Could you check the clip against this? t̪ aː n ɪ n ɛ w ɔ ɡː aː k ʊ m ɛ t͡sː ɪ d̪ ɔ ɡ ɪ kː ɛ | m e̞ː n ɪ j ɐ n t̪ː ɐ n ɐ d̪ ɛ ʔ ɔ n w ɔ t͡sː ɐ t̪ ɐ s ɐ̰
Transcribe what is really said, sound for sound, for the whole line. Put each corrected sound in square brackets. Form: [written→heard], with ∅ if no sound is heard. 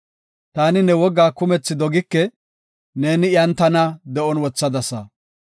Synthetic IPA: t̪ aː n ɪ n ɛ w ɔ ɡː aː k ʊ m ɛ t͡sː ɪ d̪ ɔ ɡ ɪ kː ɛ | [m→n] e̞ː n ɪ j ɐ n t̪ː ɐ n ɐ d̪ ɛ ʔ ɔ n w ɔ t͡sː ɐ [t̪→d̪] ɐ s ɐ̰